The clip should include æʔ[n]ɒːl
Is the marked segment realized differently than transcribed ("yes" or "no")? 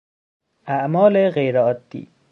yes